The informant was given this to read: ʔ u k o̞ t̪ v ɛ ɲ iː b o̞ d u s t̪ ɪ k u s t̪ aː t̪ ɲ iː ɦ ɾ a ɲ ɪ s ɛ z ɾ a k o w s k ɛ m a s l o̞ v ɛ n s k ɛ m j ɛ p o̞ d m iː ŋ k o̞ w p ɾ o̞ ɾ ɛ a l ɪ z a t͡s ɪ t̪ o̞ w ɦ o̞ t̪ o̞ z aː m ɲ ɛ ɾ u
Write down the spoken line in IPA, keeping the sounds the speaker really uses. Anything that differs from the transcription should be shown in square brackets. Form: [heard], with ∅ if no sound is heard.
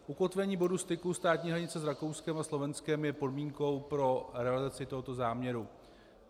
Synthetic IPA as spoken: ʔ u k o̞ t̪ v ɛ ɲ iː b o̞ d u s t̪ ɪ k u s t̪ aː t̪ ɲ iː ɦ ɾ a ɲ ɪ [t͡s] ɛ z ɾ a k o w s k ɛ m a s l o̞ v ɛ n s k ɛ m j ɛ p o̞ d m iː ŋ k o̞ w p ɾ o̞ ɾ ɛ a l ɪ z a t͡s ɪ t̪ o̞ [∅] ɦ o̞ t̪ o̞ z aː m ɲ ɛ ɾ u